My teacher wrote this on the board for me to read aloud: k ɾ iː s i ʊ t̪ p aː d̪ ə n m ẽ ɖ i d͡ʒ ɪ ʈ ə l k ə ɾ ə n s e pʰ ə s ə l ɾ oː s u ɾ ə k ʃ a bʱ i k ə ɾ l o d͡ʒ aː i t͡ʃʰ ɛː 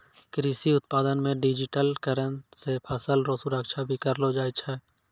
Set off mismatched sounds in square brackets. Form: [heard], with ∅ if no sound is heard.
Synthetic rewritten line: k ɾ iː s i ʊ t̪ p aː d̪ ə n m ẽ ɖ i d͡ʒ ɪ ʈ ə l k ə ɾ ə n s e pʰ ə s ə l ɾ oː s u ɾ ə k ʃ a bʱ i k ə ɾ l o d͡ʒ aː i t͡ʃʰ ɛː